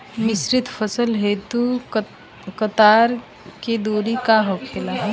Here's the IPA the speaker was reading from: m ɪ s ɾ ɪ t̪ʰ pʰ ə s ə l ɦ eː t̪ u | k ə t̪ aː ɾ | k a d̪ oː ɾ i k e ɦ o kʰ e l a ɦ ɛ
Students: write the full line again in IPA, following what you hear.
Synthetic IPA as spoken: m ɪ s ɾ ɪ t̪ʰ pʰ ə s ə l ɦ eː t̪ u | k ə t̪ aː ɾ | k e d̪ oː ɾ i k a ɦ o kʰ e l a ɦ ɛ